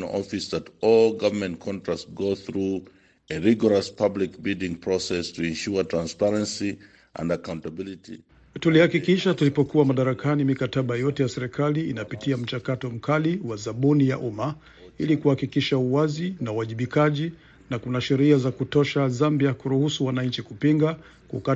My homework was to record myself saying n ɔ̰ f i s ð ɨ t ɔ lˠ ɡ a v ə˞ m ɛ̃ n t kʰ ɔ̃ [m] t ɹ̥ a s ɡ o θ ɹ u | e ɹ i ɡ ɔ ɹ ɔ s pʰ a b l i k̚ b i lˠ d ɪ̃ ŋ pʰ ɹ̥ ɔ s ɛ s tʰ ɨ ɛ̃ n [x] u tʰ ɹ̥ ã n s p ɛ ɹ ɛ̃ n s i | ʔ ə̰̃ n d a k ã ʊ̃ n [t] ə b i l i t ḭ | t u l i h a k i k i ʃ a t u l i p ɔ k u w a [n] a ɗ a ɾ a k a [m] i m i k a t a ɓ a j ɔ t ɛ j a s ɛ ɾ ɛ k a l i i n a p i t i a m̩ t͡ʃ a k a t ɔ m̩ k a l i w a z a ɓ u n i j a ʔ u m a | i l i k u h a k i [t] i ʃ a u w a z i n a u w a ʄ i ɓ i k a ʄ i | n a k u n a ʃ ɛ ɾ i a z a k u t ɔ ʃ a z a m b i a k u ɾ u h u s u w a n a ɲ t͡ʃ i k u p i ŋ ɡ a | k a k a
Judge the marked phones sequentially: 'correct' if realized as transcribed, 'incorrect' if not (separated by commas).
incorrect, incorrect, correct, incorrect, incorrect, incorrect